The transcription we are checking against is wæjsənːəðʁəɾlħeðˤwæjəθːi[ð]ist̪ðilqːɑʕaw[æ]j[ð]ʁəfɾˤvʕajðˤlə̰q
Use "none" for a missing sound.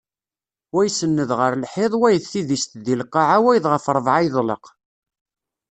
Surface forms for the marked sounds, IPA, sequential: ð, æ, ð

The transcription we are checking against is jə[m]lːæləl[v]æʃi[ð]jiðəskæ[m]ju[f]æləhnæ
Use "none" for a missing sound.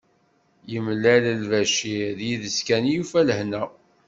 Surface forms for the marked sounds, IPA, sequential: m, v, ð, n, f

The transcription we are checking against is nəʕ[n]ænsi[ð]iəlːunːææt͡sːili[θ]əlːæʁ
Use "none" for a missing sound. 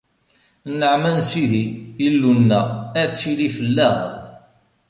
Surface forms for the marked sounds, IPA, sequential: m, ð, f

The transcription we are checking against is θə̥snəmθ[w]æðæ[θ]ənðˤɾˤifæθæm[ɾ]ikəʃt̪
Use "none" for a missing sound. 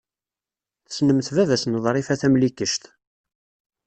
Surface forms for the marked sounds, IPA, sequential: v, s, l

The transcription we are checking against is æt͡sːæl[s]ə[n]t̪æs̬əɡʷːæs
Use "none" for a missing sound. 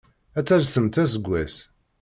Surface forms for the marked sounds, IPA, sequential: s, m

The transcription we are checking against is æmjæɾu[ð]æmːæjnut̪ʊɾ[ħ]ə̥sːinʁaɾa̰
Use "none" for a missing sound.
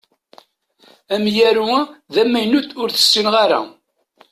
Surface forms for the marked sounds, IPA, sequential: ð, θ

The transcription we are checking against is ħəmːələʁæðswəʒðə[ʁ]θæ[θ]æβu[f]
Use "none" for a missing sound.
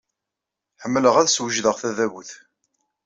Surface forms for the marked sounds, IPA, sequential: ʁ, ð, θ

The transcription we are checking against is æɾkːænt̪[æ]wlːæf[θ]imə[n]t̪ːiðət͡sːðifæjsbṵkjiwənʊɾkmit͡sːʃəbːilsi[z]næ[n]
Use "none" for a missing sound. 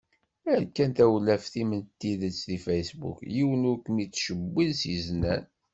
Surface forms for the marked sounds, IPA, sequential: æ, θ, n, z, n

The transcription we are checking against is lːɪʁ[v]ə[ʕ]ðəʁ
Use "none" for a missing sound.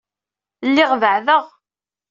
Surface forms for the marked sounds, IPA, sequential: v, ʕ

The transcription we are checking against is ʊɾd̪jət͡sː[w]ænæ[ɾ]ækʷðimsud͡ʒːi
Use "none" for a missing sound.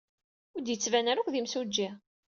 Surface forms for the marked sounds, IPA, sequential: v, ɾ

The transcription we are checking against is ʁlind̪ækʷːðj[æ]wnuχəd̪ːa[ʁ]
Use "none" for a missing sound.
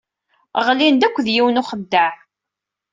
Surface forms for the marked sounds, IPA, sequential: i, ʕ

